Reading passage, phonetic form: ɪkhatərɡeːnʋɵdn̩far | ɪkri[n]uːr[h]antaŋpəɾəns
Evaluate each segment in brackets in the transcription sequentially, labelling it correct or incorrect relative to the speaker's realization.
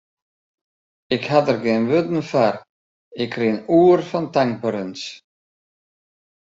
correct, incorrect: f

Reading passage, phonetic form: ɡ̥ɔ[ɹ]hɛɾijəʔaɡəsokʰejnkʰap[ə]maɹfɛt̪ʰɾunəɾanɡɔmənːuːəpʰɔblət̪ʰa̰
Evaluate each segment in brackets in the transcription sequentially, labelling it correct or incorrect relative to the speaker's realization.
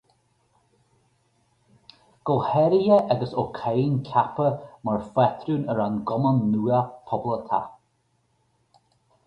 incorrect: l, correct

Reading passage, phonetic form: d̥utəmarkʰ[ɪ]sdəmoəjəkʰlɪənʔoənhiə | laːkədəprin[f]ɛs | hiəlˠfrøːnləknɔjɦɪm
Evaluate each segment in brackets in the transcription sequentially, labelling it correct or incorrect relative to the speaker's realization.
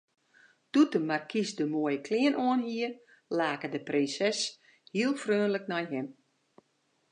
incorrect: i, incorrect: s

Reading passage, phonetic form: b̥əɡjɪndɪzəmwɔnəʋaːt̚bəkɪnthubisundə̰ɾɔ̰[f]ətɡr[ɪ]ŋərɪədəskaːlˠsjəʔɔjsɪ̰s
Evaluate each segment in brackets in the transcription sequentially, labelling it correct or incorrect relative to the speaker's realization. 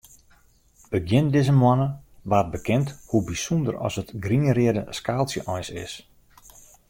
incorrect: s, incorrect: i

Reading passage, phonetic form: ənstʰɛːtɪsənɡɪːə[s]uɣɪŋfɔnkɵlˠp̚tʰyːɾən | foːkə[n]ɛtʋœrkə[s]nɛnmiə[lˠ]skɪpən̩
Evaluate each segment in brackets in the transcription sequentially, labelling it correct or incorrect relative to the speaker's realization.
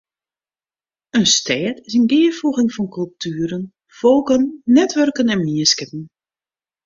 incorrect: f, incorrect: nː, incorrect: none, incorrect: none

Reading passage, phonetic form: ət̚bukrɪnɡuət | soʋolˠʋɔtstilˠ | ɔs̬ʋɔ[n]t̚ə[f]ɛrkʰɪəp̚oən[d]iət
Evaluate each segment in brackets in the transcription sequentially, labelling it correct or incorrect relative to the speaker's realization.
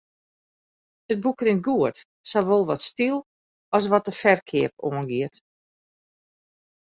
incorrect: none, correct, incorrect: ɡ

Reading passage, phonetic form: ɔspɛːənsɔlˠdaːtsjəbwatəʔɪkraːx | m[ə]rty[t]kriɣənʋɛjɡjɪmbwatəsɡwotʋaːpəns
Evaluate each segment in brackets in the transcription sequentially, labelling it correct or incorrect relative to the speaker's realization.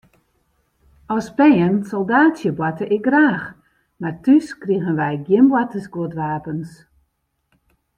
incorrect: a, incorrect: s

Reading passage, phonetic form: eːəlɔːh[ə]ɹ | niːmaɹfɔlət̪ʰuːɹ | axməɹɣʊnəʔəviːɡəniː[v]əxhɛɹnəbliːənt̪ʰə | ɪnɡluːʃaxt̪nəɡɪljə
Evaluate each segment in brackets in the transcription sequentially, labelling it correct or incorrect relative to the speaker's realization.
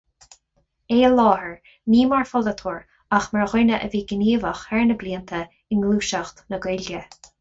correct, correct

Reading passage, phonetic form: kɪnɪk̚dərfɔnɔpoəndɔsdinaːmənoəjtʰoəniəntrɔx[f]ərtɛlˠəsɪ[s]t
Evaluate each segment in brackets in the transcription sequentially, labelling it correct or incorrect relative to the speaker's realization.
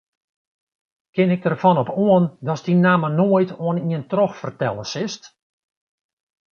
correct, correct

